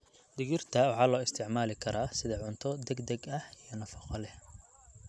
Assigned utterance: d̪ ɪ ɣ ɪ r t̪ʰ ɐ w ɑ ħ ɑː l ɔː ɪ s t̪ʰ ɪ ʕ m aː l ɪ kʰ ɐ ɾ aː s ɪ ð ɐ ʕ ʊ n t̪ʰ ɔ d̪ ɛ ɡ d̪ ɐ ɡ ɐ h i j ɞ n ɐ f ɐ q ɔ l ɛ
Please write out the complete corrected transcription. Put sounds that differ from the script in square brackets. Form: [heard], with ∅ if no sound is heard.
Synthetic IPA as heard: d̪ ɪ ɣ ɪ r t̪ʰ ɐ w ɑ ħ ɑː l ɔː ɪ s t̪ʰ ɪ ʕ m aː l ɪ kʰ ɐ ɾ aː s ɪ ð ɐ ʕ ʊ n t̪ʰ ɔ d̪ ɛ ɡ d̪ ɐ ɡ ɐ h i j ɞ n ɐ f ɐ q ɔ l ɛ